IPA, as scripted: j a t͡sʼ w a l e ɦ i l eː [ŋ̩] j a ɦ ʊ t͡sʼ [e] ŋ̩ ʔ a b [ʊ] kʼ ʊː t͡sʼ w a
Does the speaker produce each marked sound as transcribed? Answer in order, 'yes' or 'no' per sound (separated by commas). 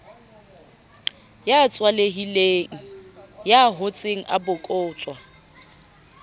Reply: yes, yes, yes